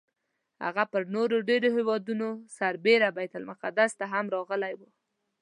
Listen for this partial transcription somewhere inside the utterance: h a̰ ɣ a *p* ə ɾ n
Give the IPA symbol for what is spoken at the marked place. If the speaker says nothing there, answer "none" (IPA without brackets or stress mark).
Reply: p